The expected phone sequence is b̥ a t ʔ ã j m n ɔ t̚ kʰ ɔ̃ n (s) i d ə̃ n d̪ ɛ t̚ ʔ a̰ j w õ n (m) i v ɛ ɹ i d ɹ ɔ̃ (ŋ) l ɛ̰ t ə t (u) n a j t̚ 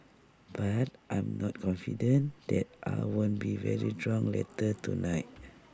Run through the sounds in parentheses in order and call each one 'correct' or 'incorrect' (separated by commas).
incorrect, incorrect, correct, correct